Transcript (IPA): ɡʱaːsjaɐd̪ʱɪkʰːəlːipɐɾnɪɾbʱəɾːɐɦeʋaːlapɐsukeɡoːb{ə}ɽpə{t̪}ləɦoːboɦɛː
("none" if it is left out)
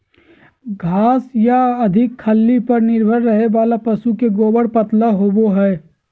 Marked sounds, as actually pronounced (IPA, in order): ə, t̪

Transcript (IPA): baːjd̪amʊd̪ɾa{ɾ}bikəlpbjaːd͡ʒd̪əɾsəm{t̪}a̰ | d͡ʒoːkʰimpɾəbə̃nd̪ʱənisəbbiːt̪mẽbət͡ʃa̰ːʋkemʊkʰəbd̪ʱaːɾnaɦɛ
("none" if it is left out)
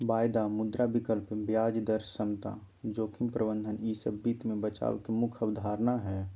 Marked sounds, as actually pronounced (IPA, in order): none, t̪

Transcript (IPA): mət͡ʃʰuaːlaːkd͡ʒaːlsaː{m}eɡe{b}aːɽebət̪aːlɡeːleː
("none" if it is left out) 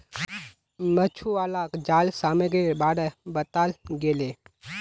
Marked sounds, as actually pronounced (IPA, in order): m, b

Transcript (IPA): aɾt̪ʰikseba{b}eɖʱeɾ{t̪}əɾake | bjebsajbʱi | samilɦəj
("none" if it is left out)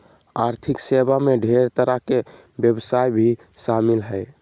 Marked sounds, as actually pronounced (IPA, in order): m, t̪

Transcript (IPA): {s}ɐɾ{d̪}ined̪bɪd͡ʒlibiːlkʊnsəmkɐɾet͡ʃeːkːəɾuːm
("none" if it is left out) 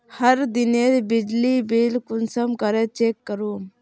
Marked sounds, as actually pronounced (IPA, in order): h, d̪

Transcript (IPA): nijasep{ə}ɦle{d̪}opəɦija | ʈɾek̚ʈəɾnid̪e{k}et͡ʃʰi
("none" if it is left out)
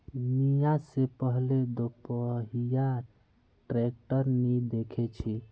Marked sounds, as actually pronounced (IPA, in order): ə, d̪, kʰ

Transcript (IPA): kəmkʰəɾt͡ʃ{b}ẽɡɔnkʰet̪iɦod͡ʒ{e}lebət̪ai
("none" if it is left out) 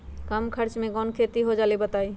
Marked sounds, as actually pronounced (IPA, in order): m, a

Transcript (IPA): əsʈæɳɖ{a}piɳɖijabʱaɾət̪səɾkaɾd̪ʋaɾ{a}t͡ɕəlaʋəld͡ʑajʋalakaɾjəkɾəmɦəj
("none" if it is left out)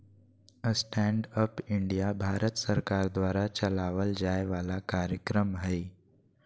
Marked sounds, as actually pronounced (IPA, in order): ə, a

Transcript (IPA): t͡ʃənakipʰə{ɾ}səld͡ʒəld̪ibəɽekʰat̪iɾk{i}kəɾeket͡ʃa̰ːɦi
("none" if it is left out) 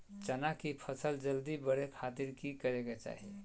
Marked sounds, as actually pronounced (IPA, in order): none, i

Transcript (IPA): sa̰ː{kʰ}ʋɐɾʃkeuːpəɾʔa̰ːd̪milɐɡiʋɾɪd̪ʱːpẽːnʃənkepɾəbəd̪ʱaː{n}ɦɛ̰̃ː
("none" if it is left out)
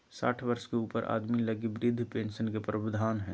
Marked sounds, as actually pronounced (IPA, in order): ʈʰ, n

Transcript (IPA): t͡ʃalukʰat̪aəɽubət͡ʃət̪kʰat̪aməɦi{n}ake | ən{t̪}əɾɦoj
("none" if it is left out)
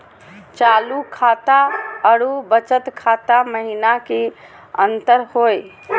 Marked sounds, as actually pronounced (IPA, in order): n, t̪

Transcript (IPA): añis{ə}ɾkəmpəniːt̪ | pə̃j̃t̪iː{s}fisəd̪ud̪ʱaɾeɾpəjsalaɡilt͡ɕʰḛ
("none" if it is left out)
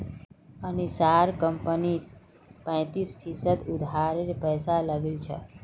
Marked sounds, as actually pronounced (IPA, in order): a, s

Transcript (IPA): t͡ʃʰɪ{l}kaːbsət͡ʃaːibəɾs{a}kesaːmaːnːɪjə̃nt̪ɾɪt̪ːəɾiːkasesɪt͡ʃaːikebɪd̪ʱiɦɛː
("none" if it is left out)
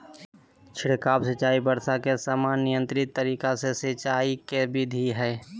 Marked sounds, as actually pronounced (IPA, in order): ɽ, a

